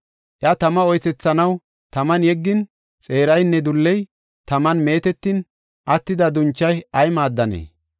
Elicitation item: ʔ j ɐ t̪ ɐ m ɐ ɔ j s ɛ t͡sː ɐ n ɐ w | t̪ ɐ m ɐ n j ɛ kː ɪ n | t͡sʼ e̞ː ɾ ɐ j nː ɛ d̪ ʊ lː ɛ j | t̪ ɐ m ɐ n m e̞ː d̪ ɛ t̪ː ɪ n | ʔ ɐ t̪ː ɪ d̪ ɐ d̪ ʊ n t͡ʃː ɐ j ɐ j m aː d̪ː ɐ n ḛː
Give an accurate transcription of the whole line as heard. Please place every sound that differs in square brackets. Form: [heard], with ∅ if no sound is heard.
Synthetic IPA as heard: ʔ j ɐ t̪ ɐ m ɐ ɔ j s ɛ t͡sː ɐ n ɐ w | t̪ ɐ m ɐ n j ɛ [ɡː] ɪ n | t͡sʼ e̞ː ɾ ɐ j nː ɛ d̪ ʊ lː ɛ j | t̪ ɐ m ɐ n m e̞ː [t̪] ɛ t̪ː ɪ n | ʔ ɐ t̪ː ɪ d̪ ɐ d̪ ʊ n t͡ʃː ɐ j ɐ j m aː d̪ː ɐ n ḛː